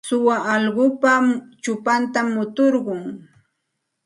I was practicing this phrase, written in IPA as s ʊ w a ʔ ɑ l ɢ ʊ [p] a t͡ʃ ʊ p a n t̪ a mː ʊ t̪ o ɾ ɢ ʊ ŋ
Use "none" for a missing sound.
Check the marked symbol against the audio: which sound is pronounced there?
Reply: p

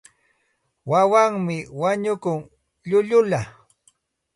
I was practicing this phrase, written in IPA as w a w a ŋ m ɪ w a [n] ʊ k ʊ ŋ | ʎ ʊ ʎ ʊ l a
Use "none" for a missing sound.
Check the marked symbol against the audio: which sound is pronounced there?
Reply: ɲ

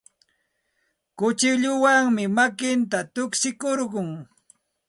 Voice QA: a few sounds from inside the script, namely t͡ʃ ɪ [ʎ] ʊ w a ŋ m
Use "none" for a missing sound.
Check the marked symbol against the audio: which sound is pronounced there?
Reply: ʎ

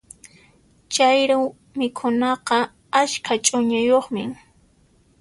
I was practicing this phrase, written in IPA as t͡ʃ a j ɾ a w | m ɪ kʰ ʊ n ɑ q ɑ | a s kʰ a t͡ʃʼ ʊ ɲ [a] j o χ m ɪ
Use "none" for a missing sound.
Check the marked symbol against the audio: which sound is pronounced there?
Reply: a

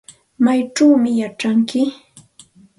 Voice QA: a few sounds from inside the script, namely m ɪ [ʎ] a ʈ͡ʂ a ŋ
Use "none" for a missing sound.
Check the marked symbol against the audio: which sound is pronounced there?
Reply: j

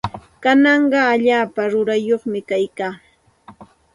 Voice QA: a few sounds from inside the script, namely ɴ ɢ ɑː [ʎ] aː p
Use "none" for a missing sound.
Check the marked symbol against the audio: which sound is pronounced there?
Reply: ʎ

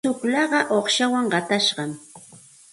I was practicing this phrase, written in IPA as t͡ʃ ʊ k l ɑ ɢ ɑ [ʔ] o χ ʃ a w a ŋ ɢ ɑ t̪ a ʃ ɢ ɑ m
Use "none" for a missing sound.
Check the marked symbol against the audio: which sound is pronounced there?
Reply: ʔ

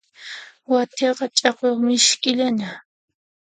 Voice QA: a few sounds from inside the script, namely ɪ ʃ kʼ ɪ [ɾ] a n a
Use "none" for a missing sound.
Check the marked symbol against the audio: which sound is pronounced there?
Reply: ʎ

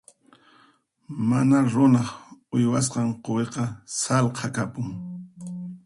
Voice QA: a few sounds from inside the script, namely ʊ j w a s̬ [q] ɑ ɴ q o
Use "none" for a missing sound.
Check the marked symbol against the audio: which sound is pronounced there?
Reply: q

